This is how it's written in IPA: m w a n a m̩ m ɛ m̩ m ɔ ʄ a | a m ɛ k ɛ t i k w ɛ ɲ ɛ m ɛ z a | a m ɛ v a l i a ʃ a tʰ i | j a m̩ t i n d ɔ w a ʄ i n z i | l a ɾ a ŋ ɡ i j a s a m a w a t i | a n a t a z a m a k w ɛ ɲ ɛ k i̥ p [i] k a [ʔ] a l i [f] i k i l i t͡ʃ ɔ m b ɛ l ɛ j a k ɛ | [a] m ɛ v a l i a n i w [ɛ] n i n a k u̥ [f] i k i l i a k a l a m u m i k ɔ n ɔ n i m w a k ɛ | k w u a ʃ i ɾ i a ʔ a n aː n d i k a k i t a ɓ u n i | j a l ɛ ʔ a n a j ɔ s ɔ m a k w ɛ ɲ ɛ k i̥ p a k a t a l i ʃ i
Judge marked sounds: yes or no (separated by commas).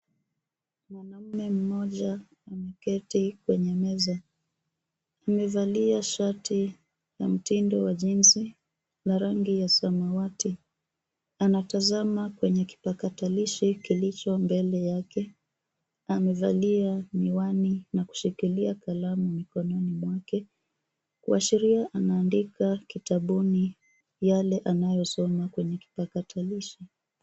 no, no, no, yes, no, no